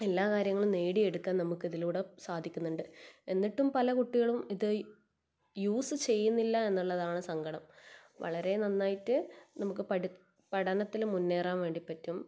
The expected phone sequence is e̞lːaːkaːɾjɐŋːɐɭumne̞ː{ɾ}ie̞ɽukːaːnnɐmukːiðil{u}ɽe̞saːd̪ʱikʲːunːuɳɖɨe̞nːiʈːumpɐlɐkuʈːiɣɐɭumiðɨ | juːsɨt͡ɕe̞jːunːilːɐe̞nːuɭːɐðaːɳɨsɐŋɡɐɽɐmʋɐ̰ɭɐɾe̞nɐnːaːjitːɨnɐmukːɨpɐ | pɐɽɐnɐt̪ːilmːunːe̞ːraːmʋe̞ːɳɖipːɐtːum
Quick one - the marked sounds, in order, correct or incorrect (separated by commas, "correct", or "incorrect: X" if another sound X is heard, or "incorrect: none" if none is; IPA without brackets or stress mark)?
incorrect: ɽ, incorrect: uː